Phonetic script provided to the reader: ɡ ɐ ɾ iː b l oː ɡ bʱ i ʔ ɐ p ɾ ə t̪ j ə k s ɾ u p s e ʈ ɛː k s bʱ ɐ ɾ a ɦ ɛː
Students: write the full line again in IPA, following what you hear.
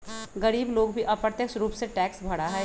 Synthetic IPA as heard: ɡ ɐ ɾ iː b l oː ɡ bʱ i ʔ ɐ p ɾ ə t̪ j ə k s ɾ uː p s e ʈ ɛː k s bʱ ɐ ɽ a ɦ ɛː